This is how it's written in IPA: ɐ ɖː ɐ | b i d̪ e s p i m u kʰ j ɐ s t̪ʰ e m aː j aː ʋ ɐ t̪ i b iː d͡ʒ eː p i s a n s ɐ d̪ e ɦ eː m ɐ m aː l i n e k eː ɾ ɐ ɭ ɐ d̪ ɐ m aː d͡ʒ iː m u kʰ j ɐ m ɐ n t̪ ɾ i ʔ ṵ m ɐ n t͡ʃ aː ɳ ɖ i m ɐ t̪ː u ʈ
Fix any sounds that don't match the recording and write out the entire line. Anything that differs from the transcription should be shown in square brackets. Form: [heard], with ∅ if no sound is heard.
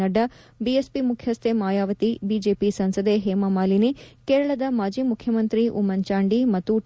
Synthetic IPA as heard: ɐ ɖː ɐ | b i [∅] e s p i m u kʰ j ɐ s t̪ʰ e m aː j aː ʋ ɐ t̪ i b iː d͡ʒ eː p i s [ɐ] n s ɐ d̪ e ɦ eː m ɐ m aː l i n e k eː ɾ ɐ ɭ ɐ d̪ ɐ m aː d͡ʒ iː m u kʰ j ɐ m ɐ n t̪ ɾ i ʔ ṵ m ɐ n t͡ʃ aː ɳ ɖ i m ɐ t̪ː u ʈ